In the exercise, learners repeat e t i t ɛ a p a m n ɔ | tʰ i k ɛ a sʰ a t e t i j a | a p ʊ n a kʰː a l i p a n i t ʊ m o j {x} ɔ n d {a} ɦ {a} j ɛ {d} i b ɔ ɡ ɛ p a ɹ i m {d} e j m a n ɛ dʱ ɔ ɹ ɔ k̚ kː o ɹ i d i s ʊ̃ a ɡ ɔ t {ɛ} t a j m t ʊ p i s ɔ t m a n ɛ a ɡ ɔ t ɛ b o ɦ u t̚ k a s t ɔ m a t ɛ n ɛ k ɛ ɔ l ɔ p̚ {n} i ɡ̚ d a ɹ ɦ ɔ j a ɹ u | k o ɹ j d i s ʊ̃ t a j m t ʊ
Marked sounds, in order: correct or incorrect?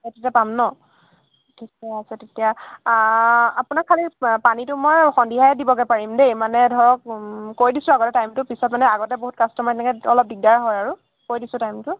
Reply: correct, incorrect: i, correct, correct, correct, correct, incorrect: d

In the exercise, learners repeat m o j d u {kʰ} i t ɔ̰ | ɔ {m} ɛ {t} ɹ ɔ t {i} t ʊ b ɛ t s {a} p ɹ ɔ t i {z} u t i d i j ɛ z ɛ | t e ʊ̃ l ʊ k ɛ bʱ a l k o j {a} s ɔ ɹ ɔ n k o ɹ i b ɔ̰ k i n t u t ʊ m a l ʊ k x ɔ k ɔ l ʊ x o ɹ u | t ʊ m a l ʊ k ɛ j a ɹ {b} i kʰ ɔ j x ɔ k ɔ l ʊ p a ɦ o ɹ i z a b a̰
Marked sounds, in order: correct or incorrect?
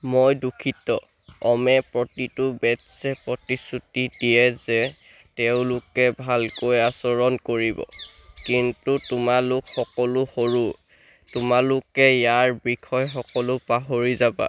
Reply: correct, correct, incorrect: p, correct, incorrect: ɛ, incorrect: s, correct, correct

